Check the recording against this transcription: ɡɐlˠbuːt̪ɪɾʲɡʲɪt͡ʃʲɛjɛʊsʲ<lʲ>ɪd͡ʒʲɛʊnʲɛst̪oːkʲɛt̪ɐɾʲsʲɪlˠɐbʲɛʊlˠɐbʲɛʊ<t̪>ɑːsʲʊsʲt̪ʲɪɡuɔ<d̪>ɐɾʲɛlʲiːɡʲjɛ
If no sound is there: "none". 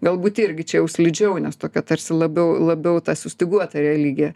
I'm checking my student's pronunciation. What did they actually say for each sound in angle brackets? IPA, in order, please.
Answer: lʲ, t̪, t̪

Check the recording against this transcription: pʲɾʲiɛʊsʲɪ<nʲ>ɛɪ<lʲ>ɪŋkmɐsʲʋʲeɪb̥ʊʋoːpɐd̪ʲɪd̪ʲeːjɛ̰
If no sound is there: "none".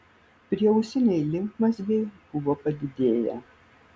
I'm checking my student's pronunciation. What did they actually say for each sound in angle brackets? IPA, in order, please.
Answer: nʲ, lʲ

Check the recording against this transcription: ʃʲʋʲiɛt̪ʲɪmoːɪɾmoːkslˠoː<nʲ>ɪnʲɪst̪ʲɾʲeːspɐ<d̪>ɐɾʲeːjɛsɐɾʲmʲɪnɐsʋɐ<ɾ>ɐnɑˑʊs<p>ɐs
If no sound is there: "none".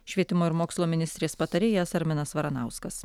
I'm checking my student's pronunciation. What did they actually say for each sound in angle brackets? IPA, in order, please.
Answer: mʲ, t̪, ɾ, k

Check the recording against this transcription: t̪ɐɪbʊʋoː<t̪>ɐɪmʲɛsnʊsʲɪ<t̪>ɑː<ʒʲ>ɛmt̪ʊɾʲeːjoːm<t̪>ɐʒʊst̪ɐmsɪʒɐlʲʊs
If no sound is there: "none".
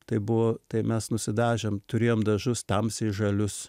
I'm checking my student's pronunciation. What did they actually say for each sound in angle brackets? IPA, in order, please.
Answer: t̪, d̪, ʒʲ, d̪

